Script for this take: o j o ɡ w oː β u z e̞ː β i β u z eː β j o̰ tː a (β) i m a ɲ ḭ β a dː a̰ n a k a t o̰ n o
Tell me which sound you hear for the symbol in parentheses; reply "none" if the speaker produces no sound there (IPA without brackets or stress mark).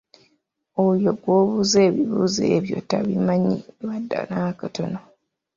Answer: β